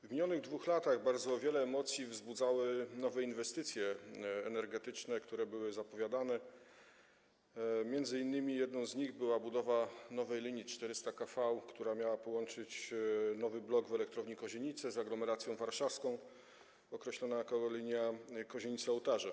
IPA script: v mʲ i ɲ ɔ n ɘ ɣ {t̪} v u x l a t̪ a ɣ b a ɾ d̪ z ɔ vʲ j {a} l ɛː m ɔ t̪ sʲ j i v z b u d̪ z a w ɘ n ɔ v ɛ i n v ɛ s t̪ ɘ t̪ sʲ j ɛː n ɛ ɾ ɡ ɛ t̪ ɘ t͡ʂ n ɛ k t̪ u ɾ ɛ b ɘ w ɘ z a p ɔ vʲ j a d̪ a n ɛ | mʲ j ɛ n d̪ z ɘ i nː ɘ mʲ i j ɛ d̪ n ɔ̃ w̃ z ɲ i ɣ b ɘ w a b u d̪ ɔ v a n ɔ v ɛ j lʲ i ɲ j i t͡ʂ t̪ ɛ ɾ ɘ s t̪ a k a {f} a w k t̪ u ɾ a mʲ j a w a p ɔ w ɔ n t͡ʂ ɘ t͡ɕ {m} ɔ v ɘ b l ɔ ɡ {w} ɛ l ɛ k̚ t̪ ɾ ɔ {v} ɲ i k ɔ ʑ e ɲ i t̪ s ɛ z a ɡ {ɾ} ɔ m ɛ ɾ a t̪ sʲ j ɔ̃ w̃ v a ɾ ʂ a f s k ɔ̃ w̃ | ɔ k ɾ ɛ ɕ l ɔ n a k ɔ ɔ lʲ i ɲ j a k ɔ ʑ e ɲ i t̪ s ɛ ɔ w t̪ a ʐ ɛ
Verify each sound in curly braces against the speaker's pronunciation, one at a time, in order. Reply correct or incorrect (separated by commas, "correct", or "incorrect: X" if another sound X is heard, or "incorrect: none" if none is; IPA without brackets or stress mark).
incorrect: d̪, incorrect: ɛ, correct, incorrect: n, incorrect: v, correct, incorrect: l